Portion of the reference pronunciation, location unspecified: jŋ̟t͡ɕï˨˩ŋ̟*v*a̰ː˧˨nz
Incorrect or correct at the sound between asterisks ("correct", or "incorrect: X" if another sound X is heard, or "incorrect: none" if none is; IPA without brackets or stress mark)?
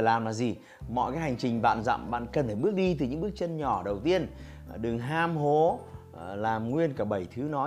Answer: correct